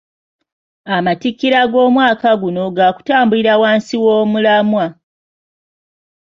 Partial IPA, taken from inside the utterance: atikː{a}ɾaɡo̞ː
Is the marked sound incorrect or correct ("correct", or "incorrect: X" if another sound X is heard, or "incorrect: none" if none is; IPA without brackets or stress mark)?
incorrect: i